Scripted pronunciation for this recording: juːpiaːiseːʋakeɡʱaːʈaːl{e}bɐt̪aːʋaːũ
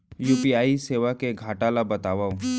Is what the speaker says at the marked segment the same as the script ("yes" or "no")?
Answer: no